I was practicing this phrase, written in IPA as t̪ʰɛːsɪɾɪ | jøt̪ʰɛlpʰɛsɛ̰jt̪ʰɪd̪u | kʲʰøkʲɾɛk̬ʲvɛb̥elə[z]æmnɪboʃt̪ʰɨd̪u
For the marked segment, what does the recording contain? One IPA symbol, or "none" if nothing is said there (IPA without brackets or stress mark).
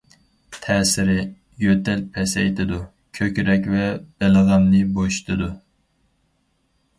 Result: ʁ